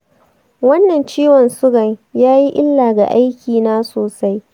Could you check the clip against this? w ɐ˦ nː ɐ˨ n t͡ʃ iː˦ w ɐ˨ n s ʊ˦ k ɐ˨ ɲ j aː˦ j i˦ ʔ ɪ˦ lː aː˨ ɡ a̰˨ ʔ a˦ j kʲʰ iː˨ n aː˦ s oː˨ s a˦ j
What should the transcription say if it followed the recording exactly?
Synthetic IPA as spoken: w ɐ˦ nː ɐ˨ n t͡ʃ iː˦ w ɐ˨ n s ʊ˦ ɡ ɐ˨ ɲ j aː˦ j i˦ ʔ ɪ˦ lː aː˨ ɡ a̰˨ ʔ a˦ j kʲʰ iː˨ n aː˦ s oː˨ s a˦ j